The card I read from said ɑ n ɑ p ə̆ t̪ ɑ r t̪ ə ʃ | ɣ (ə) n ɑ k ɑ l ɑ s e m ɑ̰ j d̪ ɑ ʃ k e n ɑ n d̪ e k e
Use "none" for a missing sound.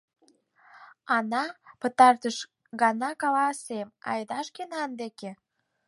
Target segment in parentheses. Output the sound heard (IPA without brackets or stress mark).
ɑ